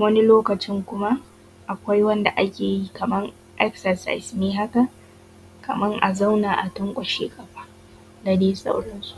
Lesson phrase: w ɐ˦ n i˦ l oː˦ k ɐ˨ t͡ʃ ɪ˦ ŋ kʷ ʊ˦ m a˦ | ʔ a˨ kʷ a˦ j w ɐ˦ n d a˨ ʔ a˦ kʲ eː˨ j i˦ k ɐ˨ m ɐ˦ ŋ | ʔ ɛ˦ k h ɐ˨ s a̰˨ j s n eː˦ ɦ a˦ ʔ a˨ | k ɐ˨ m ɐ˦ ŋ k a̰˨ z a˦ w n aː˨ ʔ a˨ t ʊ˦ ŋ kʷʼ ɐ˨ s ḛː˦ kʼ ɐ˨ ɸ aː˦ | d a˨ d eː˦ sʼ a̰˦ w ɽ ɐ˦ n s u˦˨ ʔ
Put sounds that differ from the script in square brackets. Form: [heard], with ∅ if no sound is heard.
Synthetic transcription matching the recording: w ɐ˦ n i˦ l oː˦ k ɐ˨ t͡ʃ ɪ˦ ŋ kʷ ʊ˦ m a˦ | ʔ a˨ kʷ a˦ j w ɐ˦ n d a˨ ʔ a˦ kʲ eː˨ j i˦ k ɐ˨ m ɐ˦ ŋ | ʔ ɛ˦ k [s] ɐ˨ s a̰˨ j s n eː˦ ɦ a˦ [k] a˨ | k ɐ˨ m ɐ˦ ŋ [ʔ] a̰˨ z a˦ w n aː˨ ʔ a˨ t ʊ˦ ŋ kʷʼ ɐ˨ [ʃ] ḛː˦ kʼ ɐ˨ ɸ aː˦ | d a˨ d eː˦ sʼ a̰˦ w ɽ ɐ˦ n s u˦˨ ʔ